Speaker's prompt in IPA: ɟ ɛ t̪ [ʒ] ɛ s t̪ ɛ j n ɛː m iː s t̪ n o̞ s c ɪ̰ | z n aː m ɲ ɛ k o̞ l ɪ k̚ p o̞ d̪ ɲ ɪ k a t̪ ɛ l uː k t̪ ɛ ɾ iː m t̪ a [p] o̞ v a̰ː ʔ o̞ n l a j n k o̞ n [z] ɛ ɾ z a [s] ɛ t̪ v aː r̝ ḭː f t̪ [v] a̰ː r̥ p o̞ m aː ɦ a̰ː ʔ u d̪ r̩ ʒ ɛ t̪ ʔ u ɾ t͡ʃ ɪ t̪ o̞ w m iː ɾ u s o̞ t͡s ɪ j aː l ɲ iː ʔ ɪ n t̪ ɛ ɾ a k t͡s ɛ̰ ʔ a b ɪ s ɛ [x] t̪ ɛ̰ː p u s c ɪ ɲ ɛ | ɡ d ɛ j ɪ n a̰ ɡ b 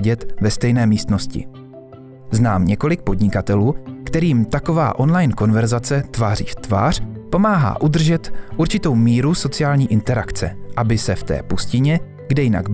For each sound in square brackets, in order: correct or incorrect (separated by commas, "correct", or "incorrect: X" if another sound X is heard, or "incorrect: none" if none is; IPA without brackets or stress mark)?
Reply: incorrect: v, incorrect: k, incorrect: v, incorrect: t͡s, correct, incorrect: f